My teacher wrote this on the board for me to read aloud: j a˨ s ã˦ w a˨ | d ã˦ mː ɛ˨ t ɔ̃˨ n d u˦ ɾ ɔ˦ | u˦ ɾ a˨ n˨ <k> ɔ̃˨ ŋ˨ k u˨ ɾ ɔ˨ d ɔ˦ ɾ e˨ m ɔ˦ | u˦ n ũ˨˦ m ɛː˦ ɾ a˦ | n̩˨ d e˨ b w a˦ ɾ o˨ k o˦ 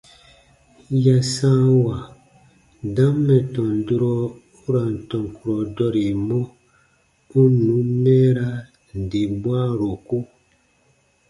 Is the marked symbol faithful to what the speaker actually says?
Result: no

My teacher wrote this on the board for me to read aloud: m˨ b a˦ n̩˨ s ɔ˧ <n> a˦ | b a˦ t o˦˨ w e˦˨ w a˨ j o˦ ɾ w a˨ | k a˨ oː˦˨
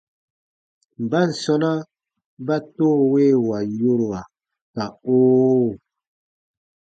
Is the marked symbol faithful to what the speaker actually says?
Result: yes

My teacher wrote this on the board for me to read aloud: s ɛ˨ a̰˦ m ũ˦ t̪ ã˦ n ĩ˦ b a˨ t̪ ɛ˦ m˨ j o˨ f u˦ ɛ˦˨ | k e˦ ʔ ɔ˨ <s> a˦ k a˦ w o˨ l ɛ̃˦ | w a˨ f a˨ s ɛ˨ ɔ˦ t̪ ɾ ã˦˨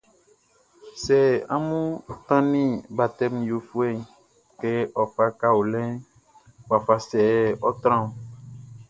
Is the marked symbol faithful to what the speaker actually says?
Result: no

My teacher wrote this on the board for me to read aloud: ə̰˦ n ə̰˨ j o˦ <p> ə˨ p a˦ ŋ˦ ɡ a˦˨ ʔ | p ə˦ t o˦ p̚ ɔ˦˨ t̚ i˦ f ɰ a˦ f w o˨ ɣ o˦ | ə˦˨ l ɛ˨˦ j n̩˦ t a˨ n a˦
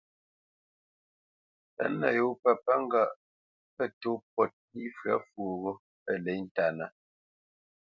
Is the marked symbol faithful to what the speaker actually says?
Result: yes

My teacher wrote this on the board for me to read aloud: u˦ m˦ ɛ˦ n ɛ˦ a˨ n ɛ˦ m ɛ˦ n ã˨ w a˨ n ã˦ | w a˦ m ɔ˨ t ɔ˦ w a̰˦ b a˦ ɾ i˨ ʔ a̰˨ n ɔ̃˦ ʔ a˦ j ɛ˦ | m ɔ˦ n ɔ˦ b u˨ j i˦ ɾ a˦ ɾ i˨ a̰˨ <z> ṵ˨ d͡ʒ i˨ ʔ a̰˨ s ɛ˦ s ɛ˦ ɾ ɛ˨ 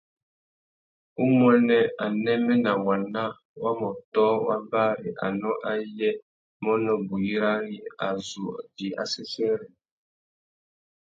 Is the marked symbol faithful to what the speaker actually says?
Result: yes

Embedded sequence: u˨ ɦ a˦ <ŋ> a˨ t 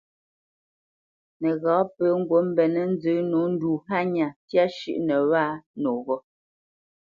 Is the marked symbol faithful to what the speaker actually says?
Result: no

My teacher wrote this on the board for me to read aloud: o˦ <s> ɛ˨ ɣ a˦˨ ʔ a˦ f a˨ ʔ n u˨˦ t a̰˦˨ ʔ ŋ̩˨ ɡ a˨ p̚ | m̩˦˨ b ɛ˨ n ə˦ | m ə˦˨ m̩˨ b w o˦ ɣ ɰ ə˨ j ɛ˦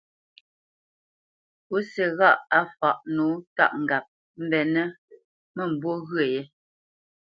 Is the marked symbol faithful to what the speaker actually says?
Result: yes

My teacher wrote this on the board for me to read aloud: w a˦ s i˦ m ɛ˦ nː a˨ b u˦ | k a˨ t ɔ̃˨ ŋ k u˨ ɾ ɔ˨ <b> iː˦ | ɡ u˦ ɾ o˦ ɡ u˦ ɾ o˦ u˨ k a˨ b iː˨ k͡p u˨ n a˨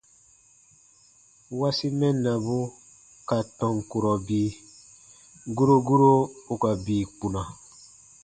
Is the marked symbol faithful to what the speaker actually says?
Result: yes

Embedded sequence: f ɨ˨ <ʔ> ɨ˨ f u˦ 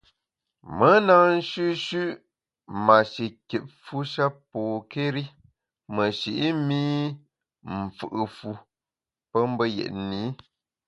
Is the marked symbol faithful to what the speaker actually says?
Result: yes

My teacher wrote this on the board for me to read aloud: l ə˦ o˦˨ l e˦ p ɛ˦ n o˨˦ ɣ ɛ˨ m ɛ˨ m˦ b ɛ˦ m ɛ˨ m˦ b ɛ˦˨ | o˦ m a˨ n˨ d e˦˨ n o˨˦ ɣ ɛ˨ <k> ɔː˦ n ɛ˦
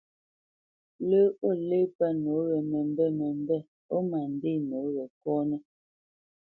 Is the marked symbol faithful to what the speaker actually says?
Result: yes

